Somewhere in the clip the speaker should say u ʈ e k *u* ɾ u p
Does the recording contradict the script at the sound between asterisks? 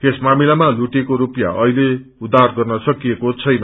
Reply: yes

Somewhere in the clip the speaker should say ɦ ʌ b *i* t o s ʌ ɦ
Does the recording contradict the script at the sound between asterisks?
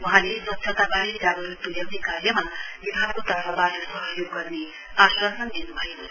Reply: yes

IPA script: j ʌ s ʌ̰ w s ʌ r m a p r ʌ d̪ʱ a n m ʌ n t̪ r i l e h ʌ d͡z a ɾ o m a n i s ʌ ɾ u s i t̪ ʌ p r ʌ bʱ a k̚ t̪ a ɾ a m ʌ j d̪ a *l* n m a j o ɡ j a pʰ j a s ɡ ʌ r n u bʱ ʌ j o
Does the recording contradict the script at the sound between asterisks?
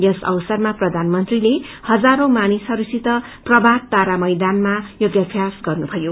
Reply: yes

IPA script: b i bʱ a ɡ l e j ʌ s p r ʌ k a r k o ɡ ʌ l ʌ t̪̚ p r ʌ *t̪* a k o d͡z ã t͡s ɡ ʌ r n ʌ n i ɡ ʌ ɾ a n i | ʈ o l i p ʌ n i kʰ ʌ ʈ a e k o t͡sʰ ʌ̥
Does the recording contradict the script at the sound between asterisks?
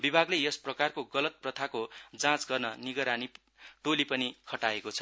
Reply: yes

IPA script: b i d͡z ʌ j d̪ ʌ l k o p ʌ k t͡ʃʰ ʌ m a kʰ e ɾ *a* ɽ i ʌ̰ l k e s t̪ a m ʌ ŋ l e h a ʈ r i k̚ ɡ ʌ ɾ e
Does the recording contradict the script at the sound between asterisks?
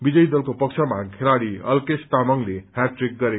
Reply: no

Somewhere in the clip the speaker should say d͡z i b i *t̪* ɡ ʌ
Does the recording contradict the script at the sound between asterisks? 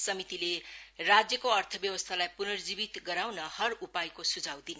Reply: no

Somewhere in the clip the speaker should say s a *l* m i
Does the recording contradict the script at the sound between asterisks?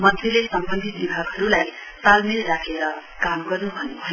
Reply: no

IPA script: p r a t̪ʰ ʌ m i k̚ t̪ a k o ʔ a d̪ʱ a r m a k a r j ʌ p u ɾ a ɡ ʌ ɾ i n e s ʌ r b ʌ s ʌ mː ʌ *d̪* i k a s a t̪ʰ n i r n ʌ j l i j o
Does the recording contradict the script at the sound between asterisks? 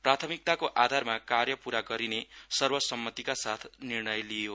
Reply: yes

